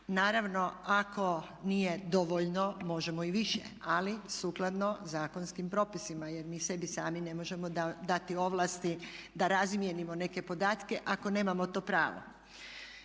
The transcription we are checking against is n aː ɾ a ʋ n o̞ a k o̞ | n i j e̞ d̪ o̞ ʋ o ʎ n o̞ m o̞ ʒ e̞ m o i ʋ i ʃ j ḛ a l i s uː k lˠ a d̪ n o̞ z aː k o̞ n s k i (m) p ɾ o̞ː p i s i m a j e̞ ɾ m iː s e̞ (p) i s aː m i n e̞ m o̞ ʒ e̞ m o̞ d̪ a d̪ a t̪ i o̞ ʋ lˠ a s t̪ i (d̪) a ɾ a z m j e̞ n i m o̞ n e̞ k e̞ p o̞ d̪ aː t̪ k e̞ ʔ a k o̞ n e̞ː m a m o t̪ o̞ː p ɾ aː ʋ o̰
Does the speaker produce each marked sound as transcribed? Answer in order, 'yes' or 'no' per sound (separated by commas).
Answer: yes, no, yes